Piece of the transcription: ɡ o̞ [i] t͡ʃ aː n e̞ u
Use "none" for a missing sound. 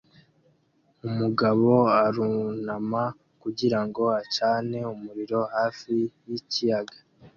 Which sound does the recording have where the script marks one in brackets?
a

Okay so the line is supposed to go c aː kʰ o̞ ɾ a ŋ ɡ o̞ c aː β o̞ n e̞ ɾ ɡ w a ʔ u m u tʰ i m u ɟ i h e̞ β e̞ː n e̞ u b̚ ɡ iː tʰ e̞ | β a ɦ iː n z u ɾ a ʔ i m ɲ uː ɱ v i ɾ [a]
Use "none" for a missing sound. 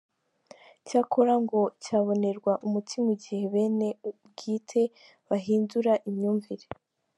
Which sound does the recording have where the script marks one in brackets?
e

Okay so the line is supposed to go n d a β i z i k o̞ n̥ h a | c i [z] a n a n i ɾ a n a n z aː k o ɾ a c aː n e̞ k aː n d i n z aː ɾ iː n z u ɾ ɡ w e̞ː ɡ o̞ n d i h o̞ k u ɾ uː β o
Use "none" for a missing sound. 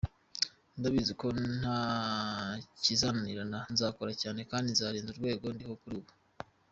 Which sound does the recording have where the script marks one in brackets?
z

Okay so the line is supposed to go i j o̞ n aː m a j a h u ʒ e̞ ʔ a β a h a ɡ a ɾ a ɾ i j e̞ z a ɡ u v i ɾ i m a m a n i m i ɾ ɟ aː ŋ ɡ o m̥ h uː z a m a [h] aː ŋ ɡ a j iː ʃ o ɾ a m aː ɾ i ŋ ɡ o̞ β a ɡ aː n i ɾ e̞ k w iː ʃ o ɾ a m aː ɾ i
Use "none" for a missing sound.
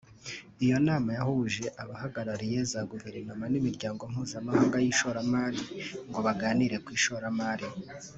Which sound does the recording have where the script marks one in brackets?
h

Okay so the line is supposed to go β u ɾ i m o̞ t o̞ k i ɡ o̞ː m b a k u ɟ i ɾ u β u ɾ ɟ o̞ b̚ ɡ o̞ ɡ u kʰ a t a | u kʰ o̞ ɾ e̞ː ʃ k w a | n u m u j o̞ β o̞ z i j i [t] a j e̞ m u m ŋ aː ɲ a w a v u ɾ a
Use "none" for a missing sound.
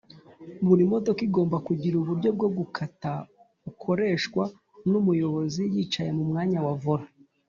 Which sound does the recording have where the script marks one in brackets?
t͡ʃ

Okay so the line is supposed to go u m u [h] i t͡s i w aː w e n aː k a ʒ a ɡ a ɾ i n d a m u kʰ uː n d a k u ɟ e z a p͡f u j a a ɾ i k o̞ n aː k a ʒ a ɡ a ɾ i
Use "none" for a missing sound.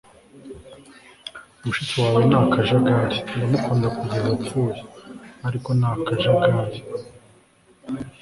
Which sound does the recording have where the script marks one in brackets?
ʃ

